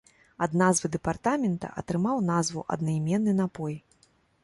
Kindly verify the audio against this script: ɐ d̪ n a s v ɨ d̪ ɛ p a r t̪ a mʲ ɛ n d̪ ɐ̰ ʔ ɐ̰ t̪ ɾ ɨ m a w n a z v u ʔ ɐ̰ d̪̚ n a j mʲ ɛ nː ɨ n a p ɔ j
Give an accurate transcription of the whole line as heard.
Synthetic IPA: ɐ d̪ n a z v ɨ d̪ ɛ p a r t̪ a mʲ ɛ n t̪ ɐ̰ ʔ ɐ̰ t̪ ɾ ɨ m a w n a z v u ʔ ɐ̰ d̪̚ n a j mʲ ɛ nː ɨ n a p ɔ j